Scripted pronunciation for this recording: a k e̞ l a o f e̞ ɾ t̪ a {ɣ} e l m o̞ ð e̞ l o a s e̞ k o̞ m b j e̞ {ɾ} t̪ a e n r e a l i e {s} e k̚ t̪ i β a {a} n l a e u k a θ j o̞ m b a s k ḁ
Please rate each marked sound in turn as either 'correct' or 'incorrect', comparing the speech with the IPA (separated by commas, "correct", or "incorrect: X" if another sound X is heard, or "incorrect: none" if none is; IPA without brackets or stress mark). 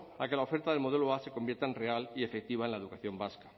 incorrect: ð, correct, incorrect: f, incorrect: e